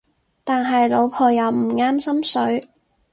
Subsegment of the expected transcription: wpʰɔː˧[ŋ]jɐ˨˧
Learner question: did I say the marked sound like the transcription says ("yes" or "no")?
no